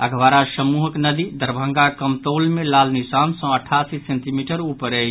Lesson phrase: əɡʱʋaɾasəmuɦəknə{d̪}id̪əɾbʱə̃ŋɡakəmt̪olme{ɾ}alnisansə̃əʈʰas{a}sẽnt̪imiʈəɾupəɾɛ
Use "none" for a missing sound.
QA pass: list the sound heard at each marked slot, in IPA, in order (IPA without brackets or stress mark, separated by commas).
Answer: d̪, l, i